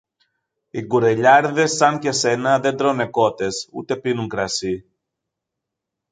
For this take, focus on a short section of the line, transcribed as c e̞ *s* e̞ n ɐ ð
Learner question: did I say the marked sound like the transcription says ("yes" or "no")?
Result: yes